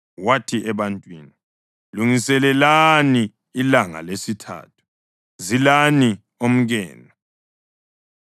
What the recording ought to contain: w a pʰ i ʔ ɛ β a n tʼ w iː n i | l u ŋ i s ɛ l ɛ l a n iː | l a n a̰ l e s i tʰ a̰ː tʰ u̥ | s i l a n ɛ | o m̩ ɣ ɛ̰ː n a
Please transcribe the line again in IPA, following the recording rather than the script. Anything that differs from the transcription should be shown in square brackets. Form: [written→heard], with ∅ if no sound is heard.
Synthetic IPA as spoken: w a [pʰ→tʰ] i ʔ ɛ β a n tʼ w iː n i | l u ŋ i s ɛ l ɛ l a n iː | l a [n→ŋ] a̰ l e s i tʰ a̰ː tʰ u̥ | [s→z] i l a n [ɛ→i] | o m̩ ɣ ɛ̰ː n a

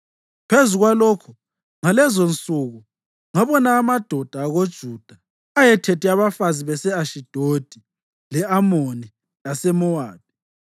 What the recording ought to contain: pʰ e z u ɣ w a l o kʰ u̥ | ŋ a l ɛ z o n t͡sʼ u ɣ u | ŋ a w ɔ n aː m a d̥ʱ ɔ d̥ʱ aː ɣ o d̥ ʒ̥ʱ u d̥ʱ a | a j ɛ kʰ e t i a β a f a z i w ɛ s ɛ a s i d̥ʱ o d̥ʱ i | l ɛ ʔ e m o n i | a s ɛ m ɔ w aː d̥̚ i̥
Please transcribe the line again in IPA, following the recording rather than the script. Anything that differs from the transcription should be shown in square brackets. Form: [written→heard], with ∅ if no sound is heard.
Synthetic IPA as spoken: pʰ e z u ɣ w a l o kʰ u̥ | ŋ a l ɛ z o n t͡sʼ u ɣ u | ŋ a [w→β] ɔ n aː m a d̥ʱ ɔ d̥ʱ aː ɣ o d̥ ʒ̥ʱ u d̥ʱ a | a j ɛ [kʰ→tʰ] e t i a β a f a z i [w→β] ɛ s ɛ a [s→ʃ] i d̥ʱ o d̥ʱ i | l ɛ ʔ [e→a] m o n i | a s ɛ m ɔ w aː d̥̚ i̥

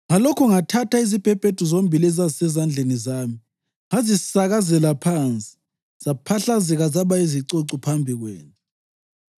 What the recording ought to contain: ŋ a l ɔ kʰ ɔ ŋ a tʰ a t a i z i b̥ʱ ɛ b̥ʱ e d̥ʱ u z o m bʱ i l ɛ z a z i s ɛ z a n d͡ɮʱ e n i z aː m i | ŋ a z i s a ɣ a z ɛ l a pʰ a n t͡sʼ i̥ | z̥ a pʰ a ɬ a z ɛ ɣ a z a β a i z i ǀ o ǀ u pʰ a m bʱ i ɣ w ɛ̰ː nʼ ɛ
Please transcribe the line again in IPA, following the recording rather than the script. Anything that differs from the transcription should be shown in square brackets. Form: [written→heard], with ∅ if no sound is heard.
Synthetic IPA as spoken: ŋ a l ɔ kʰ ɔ ŋ a tʰ a t a i z i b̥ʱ ɛ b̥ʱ e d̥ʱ u z o m bʱ i l ɛ z a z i s ɛ z a n d͡ɮʱ e n i z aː m i | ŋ a z i s a ɣ a z ɛ l a pʰ a n t͡sʼ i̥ | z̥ a pʰ a ɬ a z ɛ ɣ a z a β a i z i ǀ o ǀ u pʰ a m bʱ i ɣ w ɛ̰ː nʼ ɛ

